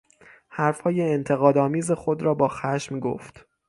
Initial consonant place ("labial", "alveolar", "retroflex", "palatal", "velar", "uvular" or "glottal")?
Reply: glottal